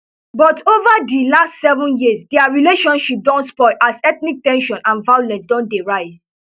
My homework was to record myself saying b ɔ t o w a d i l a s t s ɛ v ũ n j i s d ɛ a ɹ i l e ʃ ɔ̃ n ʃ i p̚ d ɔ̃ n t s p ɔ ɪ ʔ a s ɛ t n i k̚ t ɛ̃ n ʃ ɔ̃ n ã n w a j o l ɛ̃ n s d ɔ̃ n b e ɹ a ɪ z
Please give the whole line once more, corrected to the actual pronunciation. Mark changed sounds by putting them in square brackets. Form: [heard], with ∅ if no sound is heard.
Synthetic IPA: b ɔ t o [v] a d i l a s t s ɛ v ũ n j i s d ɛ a ɹ i l e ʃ ɔ̃ n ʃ i p̚ d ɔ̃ n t s p ɔ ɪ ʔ a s ɛ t n i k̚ t ɛ̃ n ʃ ɔ̃ n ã n [v] a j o l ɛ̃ n s d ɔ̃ n [d] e ɹ a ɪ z

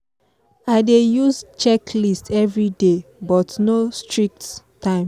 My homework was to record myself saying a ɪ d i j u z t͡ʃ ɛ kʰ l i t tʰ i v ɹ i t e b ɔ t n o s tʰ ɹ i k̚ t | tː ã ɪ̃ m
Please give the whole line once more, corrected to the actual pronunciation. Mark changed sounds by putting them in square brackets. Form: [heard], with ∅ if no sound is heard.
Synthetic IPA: a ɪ d [e] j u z t͡ʃ ɛ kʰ l i [s] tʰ [ɛ] v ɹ i [d] e b ɔ t n o s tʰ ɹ i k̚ t | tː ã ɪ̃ m

